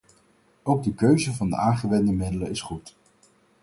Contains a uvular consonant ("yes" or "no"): yes